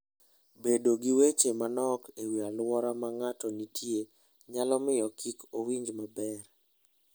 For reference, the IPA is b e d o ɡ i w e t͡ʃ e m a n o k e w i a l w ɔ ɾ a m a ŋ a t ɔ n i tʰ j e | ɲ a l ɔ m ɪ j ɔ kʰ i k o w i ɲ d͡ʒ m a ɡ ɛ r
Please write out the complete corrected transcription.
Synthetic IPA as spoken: b e d o ɡ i w e t͡ʃ e m a n ɔ k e w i a l w ɔ ɾ a m a ŋ a t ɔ n i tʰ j e | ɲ a l ɔ m ɪ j ɔ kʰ i k o w i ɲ d͡ʒ m a b ɛ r